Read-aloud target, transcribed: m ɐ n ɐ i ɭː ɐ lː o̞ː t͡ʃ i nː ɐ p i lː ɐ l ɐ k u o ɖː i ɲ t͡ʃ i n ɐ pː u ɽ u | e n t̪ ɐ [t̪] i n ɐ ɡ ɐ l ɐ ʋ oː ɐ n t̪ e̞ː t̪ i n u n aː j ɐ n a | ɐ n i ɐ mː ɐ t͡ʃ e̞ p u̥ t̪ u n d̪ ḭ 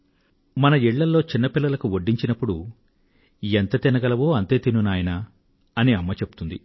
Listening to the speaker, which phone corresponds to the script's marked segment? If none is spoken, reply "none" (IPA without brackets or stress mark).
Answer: t̪